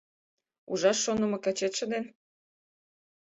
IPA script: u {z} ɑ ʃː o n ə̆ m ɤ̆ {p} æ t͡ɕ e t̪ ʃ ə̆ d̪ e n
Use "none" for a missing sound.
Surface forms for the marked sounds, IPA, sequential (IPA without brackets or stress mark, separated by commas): ʒ, k